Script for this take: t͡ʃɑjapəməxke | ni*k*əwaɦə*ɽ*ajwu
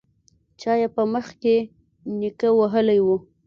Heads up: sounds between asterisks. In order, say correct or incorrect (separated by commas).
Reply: correct, incorrect